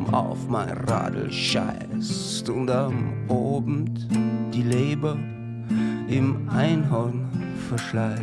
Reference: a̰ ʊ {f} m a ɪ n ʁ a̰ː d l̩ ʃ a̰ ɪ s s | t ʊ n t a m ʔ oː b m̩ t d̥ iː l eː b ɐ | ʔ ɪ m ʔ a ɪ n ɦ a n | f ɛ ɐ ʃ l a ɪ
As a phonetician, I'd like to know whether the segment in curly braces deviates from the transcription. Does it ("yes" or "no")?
no